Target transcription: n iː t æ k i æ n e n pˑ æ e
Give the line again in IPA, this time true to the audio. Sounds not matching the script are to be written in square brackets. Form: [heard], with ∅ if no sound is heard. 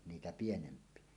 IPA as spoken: n iː t æ [p] i [e] n e [m] pˑ [i] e